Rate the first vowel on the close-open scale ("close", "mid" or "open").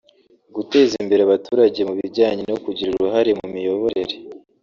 close